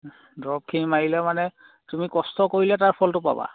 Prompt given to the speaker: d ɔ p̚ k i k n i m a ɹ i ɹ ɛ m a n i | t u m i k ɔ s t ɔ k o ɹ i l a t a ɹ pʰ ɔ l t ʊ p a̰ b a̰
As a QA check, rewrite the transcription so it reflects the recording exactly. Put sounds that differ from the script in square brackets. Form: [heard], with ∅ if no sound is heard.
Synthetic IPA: d ɔ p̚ [kʰ] i [∅] n i m a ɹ i [l] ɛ m a n [ɛ] | t u m i k ɔ s t ɔ k o ɹ i l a t a ɹ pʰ ɔ l t ʊ p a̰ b a̰